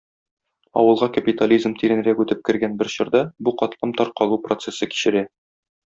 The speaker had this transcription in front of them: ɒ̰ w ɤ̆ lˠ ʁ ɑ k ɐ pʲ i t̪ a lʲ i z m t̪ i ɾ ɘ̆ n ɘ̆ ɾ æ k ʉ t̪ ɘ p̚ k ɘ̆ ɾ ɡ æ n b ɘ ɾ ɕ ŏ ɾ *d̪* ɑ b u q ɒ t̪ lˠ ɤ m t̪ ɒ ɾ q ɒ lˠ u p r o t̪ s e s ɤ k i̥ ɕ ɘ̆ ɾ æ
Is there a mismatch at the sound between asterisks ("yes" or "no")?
no